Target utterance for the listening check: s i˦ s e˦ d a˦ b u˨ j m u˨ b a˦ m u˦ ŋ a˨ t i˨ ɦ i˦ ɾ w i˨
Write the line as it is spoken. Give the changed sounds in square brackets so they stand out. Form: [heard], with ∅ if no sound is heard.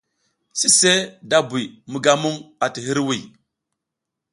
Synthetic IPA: s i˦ s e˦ d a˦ b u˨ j m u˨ [ɡ] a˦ m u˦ ŋ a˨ t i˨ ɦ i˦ ɾ w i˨